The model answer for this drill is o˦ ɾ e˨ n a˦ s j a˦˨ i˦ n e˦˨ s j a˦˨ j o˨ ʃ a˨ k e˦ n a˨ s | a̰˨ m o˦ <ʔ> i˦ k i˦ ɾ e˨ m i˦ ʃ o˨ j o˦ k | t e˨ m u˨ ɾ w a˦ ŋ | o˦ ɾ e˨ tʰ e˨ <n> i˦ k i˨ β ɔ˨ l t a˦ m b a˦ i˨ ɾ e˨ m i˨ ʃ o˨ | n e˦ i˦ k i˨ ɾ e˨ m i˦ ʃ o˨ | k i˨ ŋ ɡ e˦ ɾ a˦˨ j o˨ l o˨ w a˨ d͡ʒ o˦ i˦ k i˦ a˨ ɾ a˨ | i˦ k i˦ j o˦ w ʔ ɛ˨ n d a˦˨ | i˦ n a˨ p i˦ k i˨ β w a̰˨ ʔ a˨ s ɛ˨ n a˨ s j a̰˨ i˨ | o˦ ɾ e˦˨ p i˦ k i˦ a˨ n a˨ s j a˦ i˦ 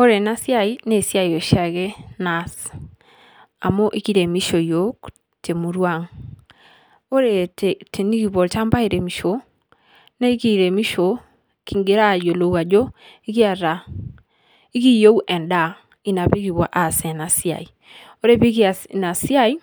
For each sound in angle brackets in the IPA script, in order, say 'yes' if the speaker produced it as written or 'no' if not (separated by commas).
yes, yes